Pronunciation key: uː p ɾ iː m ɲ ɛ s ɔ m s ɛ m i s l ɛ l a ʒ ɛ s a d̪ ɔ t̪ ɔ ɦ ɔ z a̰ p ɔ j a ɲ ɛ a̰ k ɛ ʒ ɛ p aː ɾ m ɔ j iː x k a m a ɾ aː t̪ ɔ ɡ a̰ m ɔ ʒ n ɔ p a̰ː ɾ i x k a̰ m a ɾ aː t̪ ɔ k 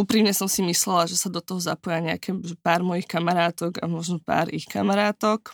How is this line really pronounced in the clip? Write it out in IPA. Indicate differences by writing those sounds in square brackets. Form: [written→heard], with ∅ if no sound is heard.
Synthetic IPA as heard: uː p ɾ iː m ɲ ɛ s ɔ m s [ɛ→i] m i s l ɛ l a ʒ ɛ s a d̪ ɔ t̪ ɔ ɦ ɔ z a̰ p ɔ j a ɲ ɛ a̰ k ɛ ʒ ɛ p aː ɾ m ɔ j [iː→i] x k a m a ɾ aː t̪ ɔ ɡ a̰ m ɔ ʒ n ɔ p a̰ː ɾ i x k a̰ m a ɾ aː t̪ ɔ k